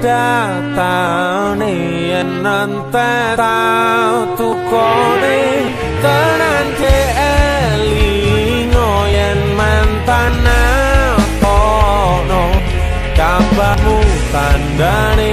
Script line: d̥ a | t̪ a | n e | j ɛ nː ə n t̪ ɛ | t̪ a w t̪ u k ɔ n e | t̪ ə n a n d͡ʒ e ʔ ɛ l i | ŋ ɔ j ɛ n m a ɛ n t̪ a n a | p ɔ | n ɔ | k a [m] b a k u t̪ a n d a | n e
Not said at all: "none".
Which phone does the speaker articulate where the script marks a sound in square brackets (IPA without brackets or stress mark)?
m